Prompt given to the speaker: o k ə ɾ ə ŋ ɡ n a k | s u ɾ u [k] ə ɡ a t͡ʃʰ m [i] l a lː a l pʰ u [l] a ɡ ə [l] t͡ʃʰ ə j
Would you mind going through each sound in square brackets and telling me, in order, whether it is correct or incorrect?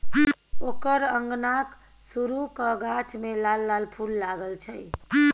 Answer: correct, incorrect: e, incorrect: lː, correct

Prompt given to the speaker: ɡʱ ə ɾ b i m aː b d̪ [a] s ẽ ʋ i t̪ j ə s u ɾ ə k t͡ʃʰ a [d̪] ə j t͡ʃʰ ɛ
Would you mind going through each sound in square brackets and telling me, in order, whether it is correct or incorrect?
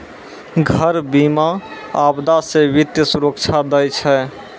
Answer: correct, correct

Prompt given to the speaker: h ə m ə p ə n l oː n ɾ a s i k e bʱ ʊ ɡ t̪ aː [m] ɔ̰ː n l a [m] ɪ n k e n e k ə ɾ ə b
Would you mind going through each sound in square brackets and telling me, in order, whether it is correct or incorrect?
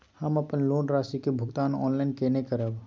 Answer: incorrect: n, incorrect: none

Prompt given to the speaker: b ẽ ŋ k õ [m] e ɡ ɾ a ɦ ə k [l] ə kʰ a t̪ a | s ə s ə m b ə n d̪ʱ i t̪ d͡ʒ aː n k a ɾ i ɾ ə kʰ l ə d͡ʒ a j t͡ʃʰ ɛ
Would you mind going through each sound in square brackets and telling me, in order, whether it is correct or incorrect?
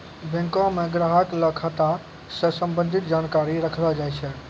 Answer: correct, correct

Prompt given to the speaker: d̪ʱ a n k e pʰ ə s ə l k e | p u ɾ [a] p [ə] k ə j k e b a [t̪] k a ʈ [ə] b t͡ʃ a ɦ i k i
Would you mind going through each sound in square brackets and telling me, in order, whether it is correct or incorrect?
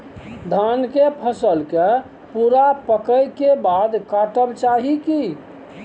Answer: correct, correct, incorrect: d̪, correct

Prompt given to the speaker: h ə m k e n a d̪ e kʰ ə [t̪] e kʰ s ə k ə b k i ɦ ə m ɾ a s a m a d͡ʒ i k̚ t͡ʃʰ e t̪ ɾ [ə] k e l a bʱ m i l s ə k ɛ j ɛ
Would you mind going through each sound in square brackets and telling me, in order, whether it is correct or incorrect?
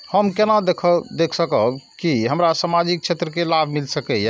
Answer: incorrect: d̪, correct

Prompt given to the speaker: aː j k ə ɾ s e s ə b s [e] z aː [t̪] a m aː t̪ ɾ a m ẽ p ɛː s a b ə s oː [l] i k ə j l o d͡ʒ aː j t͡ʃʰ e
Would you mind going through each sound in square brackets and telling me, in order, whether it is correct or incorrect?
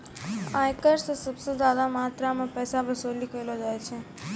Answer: correct, incorrect: d̪, correct

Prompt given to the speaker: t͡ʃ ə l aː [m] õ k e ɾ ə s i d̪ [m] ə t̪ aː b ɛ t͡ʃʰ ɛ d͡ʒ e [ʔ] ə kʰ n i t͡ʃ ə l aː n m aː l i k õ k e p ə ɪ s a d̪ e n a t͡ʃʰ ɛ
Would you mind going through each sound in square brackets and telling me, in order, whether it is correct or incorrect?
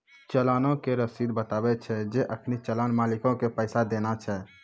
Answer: incorrect: n, incorrect: b, correct

